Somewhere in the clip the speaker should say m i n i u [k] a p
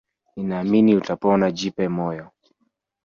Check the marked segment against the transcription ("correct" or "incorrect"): incorrect